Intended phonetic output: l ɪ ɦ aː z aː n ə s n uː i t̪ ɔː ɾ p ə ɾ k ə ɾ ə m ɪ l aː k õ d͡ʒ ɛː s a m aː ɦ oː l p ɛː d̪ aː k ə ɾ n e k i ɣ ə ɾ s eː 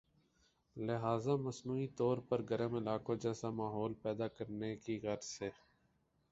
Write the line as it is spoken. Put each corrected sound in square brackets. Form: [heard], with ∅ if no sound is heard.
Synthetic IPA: l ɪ ɦ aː z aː [m] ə s n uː i t̪ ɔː ɾ p ə ɾ [ɡ] ə ɾ ə m ɪ l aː k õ d͡ʒ ɛː s a m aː ɦ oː l p ɛː d̪ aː k ə ɾ n e k i ɣ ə ɾ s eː